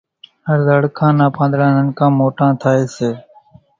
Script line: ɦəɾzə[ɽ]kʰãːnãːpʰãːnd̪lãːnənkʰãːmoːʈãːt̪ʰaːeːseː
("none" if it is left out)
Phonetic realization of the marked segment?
ɽ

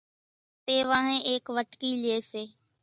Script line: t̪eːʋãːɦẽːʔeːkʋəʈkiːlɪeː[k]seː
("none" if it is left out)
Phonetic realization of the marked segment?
none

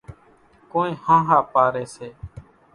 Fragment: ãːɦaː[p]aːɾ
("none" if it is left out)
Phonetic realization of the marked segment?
p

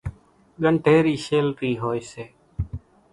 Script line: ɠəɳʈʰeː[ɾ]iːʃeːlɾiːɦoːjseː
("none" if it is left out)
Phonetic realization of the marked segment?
ɾ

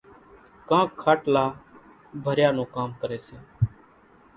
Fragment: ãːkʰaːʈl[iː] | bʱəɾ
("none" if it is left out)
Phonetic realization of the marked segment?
aː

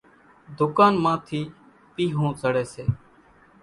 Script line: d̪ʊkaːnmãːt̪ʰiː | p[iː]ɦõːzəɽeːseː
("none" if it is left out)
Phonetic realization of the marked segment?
iː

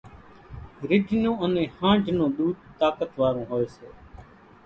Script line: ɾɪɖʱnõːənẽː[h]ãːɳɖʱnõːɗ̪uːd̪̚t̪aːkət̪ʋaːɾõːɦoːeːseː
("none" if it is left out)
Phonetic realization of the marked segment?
h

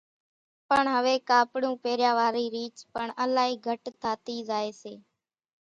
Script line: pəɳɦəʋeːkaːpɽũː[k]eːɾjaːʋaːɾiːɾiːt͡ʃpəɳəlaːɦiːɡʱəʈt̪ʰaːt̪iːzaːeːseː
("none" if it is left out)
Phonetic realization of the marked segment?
p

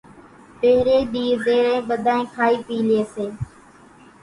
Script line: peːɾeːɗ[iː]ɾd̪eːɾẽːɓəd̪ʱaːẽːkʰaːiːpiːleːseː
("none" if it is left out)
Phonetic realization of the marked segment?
iː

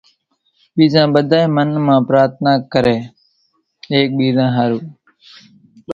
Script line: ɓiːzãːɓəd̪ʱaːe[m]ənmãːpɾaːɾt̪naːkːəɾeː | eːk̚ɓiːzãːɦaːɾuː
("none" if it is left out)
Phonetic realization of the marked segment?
m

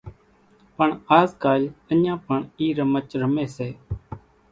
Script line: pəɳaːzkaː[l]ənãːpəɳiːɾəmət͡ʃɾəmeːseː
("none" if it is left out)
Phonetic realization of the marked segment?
l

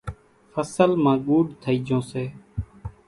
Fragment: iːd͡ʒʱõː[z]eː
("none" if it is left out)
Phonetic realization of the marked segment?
s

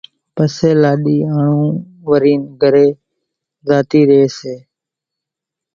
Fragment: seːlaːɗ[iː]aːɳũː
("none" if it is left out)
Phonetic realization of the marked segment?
iː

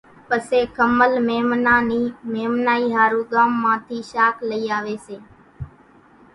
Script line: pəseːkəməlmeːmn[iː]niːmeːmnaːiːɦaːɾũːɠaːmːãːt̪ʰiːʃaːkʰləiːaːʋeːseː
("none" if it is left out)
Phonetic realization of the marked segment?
aː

